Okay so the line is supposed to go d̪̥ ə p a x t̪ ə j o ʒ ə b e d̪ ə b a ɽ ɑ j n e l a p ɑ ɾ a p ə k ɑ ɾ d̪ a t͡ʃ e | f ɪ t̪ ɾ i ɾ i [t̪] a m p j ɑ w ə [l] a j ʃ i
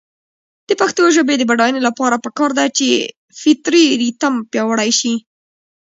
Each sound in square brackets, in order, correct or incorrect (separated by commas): correct, incorrect